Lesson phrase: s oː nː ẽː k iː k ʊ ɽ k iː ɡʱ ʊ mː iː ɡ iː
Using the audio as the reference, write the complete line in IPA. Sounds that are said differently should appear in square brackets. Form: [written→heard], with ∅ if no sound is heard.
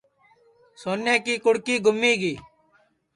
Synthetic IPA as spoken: s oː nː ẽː k iː k ʊ ɽ k iː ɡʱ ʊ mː iː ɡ iː